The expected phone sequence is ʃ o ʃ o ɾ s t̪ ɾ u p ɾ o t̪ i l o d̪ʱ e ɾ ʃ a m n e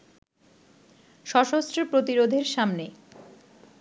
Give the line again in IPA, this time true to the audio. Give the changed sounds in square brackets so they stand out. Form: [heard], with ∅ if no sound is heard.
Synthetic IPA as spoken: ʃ [ɔ] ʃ o [∅] s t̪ ɾ [o] p ɾ o t̪ i [ɾ] o d̪ʱ e ɾ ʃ a m n e